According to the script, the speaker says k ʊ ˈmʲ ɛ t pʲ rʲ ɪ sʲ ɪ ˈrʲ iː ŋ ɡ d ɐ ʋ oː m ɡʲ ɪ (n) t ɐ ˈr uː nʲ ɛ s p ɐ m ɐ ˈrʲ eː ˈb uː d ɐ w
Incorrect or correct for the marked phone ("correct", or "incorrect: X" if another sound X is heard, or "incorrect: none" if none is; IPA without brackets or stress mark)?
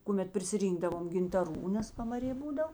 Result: correct